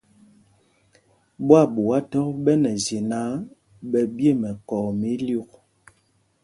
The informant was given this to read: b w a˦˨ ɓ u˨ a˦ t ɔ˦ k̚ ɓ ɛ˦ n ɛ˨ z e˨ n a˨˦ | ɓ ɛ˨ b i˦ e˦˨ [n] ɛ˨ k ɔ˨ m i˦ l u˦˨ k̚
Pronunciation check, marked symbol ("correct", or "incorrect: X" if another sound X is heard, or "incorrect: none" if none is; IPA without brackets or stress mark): incorrect: m